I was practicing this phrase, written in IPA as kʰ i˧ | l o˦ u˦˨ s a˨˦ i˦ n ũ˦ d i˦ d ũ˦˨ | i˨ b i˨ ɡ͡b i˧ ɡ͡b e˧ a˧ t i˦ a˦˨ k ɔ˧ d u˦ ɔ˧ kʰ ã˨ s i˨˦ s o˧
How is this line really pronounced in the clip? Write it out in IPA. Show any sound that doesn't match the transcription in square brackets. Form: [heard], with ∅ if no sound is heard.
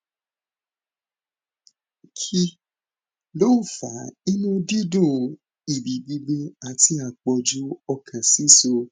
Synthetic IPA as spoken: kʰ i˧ | l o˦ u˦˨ [f] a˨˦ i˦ n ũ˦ d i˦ d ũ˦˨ | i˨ b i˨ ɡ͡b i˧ ɡ͡b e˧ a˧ t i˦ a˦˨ [k͡p] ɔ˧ [d͡ʒ] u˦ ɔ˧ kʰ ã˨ s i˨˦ s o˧

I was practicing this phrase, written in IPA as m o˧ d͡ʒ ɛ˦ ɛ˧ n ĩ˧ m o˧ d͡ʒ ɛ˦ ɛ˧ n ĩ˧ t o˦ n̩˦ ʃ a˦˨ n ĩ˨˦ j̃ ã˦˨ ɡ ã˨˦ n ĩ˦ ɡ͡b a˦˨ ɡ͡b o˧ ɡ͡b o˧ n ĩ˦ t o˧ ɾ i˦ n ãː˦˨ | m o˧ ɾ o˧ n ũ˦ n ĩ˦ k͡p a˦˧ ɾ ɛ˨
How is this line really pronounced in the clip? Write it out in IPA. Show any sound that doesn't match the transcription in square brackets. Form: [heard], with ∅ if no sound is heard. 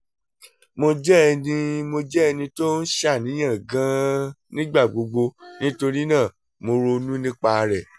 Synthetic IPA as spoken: m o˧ d͡ʒ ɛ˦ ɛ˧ n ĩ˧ m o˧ d͡ʒ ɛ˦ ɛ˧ n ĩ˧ t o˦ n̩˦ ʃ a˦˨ n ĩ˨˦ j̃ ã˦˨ ɡ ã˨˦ n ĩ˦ ɡ͡b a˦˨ ɡ͡b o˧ ɡ͡b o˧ n ĩ˦ t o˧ ɾ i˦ n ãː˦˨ | m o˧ ɾ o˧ n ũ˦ n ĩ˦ k͡p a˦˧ ɾ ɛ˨

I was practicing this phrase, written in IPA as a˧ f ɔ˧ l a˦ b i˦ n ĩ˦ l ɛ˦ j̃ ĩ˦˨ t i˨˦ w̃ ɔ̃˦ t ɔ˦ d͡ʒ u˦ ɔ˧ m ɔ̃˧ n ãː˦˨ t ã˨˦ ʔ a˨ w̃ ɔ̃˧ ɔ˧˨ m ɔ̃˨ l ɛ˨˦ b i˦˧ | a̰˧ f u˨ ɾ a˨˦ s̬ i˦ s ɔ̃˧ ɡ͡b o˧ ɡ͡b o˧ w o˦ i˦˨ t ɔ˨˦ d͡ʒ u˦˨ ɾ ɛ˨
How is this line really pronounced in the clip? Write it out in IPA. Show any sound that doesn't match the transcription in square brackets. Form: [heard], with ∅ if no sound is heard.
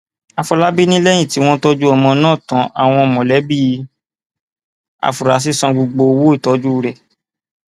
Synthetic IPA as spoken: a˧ f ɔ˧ l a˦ b i˦ n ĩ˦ l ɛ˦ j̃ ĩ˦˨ t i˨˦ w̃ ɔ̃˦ t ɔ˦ d͡ʒ u˦ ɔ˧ m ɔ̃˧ n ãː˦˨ t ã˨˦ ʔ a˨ w̃ ɔ̃˧ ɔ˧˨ m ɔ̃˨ l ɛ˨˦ b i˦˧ | a̰˧ f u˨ ɾ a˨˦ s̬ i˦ s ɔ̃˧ ɡ͡b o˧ ɡ͡b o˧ w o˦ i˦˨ t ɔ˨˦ d͡ʒ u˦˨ ɾ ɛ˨

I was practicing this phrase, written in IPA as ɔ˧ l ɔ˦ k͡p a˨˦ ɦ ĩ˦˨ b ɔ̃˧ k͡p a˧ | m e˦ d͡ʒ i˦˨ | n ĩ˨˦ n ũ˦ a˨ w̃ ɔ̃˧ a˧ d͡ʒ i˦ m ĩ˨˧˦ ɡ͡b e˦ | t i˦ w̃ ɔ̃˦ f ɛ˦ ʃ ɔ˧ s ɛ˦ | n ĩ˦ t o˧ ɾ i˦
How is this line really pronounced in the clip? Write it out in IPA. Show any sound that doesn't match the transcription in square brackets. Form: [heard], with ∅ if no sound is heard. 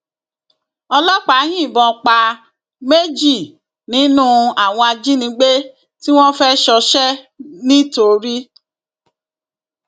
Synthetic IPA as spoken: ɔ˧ l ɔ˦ k͡p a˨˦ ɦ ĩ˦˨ b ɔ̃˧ k͡p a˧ | m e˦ d͡ʒ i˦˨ | n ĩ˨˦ n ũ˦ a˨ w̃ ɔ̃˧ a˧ d͡ʒ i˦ [n] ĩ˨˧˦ ɡ͡b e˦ | t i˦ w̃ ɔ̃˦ f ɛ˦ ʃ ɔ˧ [ʃ] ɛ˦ | n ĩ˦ t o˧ ɾ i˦

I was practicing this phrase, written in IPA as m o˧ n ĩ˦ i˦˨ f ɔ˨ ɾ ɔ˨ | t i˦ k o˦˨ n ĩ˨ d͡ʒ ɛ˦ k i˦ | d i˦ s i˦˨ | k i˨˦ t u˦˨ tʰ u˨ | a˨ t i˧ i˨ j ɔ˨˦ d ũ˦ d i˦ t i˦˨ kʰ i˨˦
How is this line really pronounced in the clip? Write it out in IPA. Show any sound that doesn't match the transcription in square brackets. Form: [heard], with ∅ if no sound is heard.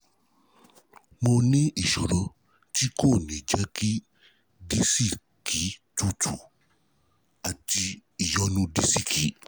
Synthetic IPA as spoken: m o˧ n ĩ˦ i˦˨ [ʃ] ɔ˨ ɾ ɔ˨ | t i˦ k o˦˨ n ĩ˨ d͡ʒ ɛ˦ k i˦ | d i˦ s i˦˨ | k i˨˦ t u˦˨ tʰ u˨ | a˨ t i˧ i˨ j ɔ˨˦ [n] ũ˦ d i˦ [s] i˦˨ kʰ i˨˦

